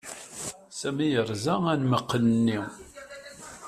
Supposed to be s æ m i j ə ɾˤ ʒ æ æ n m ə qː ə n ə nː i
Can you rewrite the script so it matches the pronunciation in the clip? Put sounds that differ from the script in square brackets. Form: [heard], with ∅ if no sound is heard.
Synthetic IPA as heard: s æ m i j ə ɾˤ [z] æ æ n m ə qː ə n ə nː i